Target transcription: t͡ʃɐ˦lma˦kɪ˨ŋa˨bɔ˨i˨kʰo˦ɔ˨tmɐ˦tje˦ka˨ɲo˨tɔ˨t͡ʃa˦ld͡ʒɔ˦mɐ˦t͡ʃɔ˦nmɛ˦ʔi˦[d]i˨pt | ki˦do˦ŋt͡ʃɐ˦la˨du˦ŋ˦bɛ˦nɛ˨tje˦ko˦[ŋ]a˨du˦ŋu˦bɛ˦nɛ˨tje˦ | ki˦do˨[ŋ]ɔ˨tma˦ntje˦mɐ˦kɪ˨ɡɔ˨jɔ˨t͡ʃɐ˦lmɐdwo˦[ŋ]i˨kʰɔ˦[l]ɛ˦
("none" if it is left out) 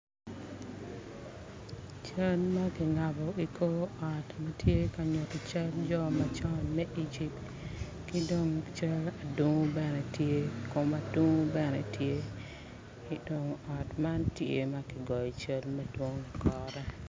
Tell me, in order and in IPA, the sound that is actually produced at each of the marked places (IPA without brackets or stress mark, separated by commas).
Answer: d͡ʒ, m, ŋ, ŋ, ɾ